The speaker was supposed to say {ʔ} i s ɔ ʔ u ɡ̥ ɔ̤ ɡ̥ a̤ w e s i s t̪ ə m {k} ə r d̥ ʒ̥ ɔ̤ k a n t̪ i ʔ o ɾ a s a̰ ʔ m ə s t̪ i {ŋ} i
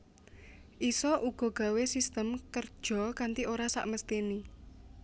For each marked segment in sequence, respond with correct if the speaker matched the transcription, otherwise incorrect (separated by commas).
correct, correct, incorrect